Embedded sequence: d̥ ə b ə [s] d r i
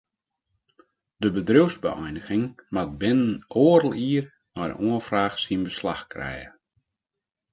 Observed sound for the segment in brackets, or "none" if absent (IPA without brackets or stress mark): none